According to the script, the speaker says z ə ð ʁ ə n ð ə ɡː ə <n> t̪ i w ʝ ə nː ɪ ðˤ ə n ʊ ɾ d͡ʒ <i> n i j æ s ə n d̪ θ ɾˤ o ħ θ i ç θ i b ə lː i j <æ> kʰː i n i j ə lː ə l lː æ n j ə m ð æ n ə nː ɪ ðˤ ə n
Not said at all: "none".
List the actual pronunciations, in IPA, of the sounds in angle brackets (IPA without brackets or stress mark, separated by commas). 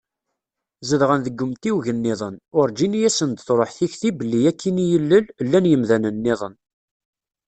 m, i, æ